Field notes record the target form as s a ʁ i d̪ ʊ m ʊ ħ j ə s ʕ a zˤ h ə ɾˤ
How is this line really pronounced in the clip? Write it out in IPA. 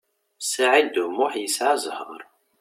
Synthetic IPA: s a ʕ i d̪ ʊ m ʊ ħ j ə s ʕ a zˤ h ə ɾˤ